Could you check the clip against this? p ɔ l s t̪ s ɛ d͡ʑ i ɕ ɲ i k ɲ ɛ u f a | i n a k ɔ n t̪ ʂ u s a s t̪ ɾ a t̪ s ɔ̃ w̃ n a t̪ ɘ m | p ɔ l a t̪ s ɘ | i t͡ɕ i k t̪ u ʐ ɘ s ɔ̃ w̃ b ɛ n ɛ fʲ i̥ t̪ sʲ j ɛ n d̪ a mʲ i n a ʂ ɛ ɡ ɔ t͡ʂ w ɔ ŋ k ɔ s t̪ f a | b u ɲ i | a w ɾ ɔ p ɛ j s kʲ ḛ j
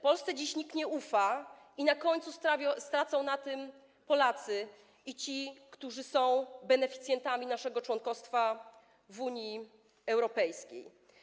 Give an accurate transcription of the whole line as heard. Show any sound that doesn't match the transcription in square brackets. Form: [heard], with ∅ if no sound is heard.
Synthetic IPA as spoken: p ɔ l s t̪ s ɛ d͡ʑ i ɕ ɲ i k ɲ ɛ u f a | i n a k ɔ [ɲ] t̪ [s] u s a s t̪ ɾ a t̪ s ɔ̃ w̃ n a t̪ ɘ m | p ɔ l a t̪ s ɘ | i t͡ɕ i k t̪ u ʐ ɘ s ɔ̃ w̃ b ɛ n ɛ fʲ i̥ t̪ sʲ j ɛ n [t̪] a mʲ i n a ʂ ɛ ɡ ɔ t͡ʂ w ɔ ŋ k ɔ s t̪ f a | [v] u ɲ i | [ɛ] w ɾ ɔ p ɛ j s kʲ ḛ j

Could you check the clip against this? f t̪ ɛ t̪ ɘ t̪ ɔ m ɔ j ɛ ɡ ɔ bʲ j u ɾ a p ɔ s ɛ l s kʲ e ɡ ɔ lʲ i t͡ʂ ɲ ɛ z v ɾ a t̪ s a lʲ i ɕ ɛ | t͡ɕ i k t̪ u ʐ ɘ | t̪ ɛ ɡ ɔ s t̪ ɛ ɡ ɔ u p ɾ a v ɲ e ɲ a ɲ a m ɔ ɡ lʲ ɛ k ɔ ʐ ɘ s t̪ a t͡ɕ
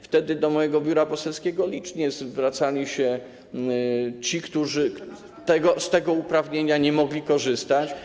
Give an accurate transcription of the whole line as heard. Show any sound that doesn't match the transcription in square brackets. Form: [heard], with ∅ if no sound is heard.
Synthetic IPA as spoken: f t̪ ɛ [d̪] ɘ [d̪] ɔ m ɔ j ɛ ɡ ɔ bʲ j u ɾ a p ɔ s ɛ l s kʲ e ɡ ɔ lʲ i t͡ʂ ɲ ɛ z v ɾ a t̪ s a lʲ i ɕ ɛ | t͡ɕ i k t̪ u ʐ ɘ | t̪ ɛ ɡ ɔ s t̪ ɛ ɡ ɔ u p ɾ a v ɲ e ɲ a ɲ [ɛ] m ɔ ɡ lʲ [i] k ɔ ʐ ɘ s t̪ a t͡ɕ

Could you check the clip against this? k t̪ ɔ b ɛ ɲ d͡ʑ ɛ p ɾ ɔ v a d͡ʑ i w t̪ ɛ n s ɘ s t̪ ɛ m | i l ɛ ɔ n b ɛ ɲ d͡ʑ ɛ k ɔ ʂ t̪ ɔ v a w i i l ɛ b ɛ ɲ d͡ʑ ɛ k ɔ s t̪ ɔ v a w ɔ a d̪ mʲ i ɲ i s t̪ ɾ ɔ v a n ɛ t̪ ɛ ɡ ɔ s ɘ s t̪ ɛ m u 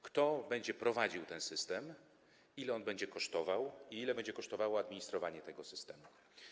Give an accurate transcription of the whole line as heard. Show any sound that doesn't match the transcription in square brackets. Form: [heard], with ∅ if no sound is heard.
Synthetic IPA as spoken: k t̪ ɔ b ɛ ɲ d͡ʑ ɛ p ɾ ɔ v a d͡ʑ i w t̪ ɛ n s ɘ s t̪ ɛ m | i l ɛ ɔ n b ɛ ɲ d͡ʑ ɛ k ɔ ʂ t̪ ɔ v a w i i l ɛ b ɛ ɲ d͡ʑ ɛ k ɔ [ʂ] t̪ ɔ v a w ɔ a d̪ mʲ i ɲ i s t̪ ɾ ɔ v a [ɲ] ɛ t̪ ɛ ɡ ɔ s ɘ s t̪ ɛ m u

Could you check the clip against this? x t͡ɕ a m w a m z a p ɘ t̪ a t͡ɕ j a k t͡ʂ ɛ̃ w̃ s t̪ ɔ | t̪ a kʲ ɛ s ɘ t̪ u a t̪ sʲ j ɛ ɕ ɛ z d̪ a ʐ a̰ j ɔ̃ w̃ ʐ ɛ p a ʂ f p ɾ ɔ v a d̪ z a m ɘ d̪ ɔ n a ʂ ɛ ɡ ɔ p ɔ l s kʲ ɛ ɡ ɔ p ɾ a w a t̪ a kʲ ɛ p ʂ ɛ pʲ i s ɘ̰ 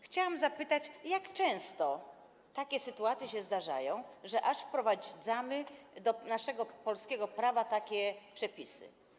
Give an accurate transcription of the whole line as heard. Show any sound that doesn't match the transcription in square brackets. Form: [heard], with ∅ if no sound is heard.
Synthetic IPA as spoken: x t͡ɕ a [∅] w a m z a p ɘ t̪ a t͡ɕ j a k t͡ʂ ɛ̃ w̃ s t̪ ɔ | t̪ a kʲ ɛ s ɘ t̪ u a t̪ sʲ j ɛ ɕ ɛ z d̪ a ʐ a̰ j ɔ̃ w̃ ʐ ɛ [ʔ] a ʂ f p ɾ ɔ v a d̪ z a m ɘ d̪ ɔ n a ʂ ɛ ɡ ɔ p ɔ l s kʲ ɛ ɡ ɔ p ɾ a [v] a t̪ a kʲ ɛ p ʂ ɛ pʲ i s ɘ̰

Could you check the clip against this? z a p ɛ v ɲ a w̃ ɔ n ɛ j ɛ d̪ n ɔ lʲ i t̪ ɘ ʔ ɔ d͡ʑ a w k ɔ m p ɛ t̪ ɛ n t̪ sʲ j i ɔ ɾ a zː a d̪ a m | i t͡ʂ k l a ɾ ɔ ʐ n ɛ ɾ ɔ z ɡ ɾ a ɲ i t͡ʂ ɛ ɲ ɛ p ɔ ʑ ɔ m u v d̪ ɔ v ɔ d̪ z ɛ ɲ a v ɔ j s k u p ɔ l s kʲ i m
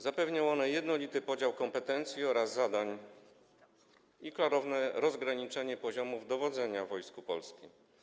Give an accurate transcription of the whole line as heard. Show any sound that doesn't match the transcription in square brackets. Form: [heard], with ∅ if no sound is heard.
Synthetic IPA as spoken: z a p ɛ v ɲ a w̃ ɔ n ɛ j ɛ d̪ n ɔ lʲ i t̪ ɘ [p] ɔ d͡ʑ a w k ɔ m p ɛ t̪ ɛ n t̪ sʲ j i ɔ ɾ a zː a d̪ a [ɲ] | i [∅] k l a ɾ ɔ [v] n ɛ ɾ ɔ z ɡ ɾ a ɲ i t͡ʂ ɛ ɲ ɛ p ɔ ʑ ɔ m u v d̪ ɔ v ɔ d̪ z ɛ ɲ a v ɔ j s k u p ɔ l s kʲ i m

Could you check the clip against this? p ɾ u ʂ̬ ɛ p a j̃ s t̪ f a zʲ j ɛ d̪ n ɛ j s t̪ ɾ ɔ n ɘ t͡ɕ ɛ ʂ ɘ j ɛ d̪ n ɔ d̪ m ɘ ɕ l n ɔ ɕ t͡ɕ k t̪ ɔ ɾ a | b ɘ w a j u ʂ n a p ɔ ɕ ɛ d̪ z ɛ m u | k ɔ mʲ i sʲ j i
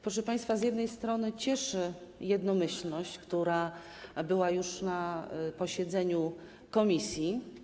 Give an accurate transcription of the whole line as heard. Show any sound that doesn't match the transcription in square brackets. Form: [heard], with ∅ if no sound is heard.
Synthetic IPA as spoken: p ɾ [ɔ] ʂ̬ ɛ p a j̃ s t̪ f a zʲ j ɛ d̪ n ɛ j s t̪ ɾ ɔ n ɘ t͡ɕ ɛ ʂ ɘ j ɛ d̪ n ɔ [∅] m ɘ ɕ l n ɔ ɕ t͡ɕ k t̪ [u] ɾ a | b ɘ w a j u ʂ n a p ɔ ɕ ɛ d̪ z ɛ [ɲ] u | k ɔ mʲ i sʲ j i

